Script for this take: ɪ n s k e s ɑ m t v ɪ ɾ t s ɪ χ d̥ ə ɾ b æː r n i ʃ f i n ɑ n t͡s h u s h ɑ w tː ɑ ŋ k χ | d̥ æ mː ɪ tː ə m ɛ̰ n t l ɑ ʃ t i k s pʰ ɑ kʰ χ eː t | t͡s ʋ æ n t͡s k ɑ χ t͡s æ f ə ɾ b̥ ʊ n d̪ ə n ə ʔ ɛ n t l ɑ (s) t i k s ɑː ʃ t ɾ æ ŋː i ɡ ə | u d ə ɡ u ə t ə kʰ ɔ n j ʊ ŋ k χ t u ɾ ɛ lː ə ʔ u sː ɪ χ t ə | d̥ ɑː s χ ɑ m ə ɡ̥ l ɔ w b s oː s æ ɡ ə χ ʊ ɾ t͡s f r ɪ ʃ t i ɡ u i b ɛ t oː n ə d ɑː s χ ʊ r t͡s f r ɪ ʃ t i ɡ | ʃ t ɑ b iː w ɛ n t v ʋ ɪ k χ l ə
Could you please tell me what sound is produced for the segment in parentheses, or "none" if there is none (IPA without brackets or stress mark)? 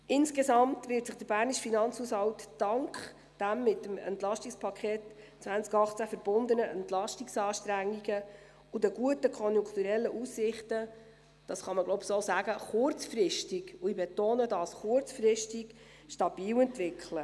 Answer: ʃ